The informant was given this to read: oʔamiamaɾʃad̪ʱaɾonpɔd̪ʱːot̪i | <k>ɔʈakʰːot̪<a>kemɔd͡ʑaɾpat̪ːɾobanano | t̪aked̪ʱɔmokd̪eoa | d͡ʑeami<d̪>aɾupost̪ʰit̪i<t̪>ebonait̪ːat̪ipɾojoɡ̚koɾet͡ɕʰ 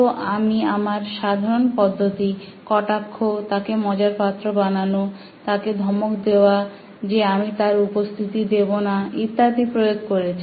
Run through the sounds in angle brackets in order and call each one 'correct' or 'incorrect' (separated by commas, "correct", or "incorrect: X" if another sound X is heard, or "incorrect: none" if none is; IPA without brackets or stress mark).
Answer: correct, correct, incorrect: t̪, incorrect: d̪